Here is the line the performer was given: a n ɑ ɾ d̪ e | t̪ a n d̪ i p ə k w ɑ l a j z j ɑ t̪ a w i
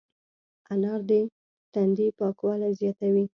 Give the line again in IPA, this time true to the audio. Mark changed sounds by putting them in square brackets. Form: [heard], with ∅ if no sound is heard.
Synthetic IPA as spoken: a n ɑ ɾ d̪ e | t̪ a n d̪ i p [ɑ] k w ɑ l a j z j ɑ t̪ a w i